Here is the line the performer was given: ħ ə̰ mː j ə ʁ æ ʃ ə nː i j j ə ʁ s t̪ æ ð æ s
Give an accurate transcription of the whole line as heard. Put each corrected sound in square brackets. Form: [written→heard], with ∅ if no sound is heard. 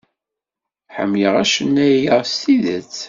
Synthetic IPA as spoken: ħ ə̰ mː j ə ʁ æ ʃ ə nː [i→æ] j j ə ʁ s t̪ [æ→i] ð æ [s→t͡s]